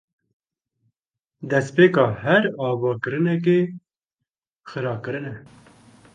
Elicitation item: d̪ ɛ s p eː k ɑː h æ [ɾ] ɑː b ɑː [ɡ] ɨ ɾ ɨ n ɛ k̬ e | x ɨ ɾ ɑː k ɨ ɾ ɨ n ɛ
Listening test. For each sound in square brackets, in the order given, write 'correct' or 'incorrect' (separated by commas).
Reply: correct, incorrect